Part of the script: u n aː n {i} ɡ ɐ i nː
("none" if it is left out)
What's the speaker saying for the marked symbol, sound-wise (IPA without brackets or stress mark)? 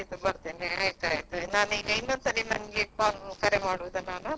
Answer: iː